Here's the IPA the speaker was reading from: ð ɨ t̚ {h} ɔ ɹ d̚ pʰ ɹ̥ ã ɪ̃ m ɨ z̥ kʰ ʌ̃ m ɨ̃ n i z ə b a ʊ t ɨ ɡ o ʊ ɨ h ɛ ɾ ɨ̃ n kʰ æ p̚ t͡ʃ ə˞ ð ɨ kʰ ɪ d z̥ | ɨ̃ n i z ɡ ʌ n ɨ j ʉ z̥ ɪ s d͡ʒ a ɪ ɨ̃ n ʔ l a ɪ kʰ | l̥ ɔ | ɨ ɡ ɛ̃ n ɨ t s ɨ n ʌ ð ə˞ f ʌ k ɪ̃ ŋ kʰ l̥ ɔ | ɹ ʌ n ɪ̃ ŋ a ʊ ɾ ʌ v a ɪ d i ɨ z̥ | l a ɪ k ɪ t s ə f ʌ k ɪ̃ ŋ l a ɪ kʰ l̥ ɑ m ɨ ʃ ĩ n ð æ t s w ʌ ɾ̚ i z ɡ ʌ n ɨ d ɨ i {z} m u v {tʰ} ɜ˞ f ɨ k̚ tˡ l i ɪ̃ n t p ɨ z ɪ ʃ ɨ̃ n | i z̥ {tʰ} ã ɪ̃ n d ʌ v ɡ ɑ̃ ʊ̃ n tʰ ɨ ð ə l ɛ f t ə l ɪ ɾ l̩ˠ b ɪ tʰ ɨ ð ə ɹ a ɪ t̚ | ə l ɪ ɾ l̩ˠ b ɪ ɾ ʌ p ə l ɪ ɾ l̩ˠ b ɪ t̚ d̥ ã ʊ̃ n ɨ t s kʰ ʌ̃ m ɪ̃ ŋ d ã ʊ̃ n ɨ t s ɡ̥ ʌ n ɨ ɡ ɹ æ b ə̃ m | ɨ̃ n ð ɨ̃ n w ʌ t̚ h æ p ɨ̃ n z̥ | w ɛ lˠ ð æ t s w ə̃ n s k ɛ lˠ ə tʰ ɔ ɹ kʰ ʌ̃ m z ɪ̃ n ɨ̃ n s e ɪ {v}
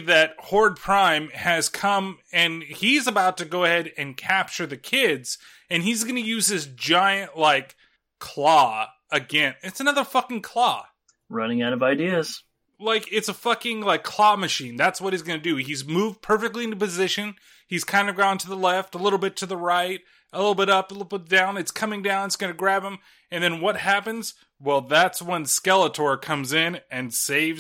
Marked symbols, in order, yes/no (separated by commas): yes, yes, no, no, yes